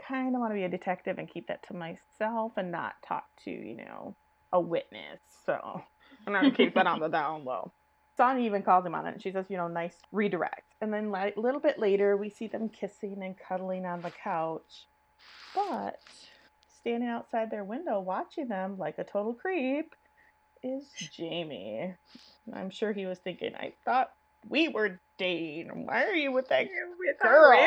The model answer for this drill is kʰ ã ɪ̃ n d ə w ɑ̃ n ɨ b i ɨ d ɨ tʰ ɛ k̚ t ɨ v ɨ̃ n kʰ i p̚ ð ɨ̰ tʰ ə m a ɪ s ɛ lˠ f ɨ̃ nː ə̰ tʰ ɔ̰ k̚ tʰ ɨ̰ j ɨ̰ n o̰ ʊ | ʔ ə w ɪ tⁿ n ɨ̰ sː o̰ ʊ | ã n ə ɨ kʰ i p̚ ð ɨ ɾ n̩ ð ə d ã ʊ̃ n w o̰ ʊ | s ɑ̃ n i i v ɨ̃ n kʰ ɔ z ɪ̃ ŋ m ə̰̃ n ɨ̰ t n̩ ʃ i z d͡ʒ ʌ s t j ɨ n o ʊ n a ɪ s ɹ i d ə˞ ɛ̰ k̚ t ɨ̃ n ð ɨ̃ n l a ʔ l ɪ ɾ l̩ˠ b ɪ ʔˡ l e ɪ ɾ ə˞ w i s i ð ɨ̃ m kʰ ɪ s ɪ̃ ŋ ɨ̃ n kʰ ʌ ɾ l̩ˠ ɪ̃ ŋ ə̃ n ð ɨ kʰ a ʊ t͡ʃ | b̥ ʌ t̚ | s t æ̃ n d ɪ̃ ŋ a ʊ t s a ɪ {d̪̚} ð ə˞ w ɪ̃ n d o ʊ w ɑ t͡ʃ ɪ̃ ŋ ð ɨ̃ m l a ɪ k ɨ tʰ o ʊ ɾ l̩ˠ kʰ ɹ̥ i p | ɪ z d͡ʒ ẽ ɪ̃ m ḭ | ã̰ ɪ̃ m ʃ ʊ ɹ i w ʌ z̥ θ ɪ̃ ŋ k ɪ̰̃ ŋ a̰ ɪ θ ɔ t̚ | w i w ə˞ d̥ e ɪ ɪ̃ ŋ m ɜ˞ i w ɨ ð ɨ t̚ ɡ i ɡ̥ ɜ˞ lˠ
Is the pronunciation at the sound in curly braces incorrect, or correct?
correct